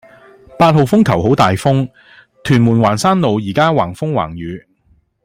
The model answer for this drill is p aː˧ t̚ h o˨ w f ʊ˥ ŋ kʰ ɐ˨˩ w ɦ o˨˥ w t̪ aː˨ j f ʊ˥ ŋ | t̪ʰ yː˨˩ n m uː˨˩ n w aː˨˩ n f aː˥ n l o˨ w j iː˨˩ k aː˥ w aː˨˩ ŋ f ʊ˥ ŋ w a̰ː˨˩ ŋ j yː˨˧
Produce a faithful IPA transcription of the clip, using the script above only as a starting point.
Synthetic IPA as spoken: p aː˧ t̚ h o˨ w f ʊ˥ ŋ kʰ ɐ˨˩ w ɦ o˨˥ w t̪ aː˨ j f ʊ˥ ŋ | t̪ʰ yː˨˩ n m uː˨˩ n w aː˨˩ n s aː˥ n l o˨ w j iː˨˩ k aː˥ w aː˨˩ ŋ f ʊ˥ ŋ w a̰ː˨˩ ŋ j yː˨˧

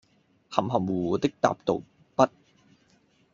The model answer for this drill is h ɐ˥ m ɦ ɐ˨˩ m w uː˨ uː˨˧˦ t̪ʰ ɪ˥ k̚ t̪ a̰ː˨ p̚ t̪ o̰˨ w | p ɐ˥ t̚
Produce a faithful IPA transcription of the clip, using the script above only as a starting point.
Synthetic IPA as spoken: h ɐ˨˩ m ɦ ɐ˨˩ m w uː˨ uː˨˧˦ t̪ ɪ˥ k̚ t̪ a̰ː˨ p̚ t̪ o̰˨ w | p ɐ˥ t̚

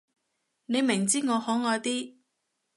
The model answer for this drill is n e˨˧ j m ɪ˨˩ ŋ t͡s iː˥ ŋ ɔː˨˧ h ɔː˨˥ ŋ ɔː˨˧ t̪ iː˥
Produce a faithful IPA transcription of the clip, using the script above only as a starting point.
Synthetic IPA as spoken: n e˨˧ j m ɪ˨˩ ŋ t͡s iː˥ ŋ ɔː˨˧ h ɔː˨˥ ŋ ɔː˨˧ t̪ iː˥

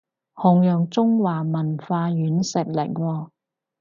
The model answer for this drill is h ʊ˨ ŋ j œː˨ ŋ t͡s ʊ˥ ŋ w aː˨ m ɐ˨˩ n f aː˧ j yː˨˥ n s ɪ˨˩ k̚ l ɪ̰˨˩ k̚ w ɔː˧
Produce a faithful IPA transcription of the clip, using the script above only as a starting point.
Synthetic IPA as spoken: h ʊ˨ ŋ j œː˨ ŋ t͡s ʊ˥ ŋ w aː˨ m ɐ˨˩ n f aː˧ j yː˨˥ n s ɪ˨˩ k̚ l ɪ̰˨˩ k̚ w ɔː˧

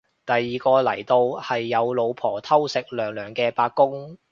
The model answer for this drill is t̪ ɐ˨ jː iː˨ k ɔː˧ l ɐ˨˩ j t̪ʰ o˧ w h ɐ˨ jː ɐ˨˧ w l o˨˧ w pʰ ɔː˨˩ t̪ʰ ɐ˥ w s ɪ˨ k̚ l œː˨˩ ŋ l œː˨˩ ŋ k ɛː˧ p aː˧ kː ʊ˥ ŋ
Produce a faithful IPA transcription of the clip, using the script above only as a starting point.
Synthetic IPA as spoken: t̪ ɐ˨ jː iː˨ k ɔː˧ l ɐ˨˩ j t̪ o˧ w h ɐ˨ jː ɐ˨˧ w l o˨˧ w pʰ ɔː˨˩ t̪ʰ ɐ˥ w s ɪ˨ k̚ l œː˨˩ ŋ l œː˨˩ ŋ k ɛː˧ p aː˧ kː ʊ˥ ŋ

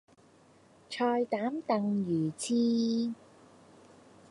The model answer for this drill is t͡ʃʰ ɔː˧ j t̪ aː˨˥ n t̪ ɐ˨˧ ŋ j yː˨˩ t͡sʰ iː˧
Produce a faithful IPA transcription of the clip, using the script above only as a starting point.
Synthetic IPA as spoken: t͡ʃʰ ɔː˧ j t̪ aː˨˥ m t̪ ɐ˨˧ ŋ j yː˨˩ t͡sʰ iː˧

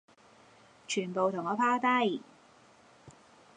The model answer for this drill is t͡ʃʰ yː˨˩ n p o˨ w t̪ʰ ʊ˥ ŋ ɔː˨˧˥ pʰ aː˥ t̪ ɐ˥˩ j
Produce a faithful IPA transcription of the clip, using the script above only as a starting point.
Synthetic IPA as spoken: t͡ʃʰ yː˨˩ n p o˨ w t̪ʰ ʊ˨˩ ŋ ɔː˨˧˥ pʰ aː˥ t̪ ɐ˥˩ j

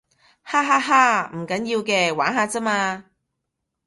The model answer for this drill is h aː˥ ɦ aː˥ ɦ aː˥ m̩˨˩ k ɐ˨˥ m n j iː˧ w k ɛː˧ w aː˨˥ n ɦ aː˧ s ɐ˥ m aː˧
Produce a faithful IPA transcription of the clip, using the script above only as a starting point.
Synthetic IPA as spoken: h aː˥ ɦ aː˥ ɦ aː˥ m̩˨˩ k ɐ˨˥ n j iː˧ w k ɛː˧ w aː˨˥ n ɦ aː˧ t͡s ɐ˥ m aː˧

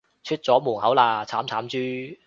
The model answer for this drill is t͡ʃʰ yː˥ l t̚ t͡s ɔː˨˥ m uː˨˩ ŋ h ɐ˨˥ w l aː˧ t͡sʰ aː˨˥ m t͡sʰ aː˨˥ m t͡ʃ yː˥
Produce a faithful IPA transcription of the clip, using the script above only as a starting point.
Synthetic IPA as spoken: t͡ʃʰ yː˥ t̚ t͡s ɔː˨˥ m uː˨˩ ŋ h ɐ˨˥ w l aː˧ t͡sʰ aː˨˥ m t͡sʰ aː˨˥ m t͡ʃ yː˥

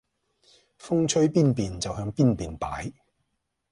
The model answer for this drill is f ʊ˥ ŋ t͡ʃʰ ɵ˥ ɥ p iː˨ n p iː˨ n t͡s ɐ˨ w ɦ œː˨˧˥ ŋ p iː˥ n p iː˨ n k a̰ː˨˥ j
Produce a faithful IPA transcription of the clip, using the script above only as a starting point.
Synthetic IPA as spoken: f ʊ˥ ŋ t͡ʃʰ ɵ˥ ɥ p iː˥ n p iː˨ n t͡s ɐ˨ w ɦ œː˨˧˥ ŋ p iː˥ n p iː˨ n p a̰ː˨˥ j

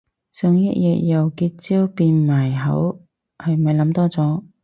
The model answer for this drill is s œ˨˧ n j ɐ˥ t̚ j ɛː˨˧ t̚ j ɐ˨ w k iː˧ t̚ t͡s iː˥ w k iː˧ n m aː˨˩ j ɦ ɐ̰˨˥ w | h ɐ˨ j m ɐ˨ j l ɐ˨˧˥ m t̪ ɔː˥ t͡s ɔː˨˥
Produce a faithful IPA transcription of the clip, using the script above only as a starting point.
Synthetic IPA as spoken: s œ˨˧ ŋ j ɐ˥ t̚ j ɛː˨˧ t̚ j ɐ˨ w k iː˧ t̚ t͡s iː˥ w p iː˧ n m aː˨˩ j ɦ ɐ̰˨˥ w | h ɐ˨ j m ɐ˨ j l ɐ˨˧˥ m t̪ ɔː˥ t͡s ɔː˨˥

